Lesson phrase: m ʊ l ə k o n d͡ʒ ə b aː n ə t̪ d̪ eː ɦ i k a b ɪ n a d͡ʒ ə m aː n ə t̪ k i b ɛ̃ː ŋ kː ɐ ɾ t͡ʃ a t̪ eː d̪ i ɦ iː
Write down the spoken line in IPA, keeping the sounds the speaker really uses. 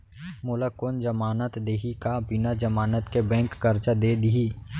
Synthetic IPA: m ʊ l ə k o n d͡ʒ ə m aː n ə t̪ d̪ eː ɦ i k a b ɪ n a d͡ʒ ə m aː n ə t̪ k e b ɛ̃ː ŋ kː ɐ ɾ t͡ʃ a d̪ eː d̪ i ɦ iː